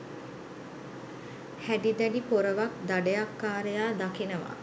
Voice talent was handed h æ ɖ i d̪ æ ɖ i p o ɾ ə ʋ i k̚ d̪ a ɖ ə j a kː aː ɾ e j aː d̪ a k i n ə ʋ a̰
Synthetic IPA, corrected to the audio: h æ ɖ i d̪ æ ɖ i p o ɾ ə ʋ a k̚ d̪ a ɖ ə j a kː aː ɾ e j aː d̪ a k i n ə ʋ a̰